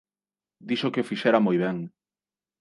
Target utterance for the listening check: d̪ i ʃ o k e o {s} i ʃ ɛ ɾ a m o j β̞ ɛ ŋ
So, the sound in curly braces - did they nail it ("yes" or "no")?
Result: no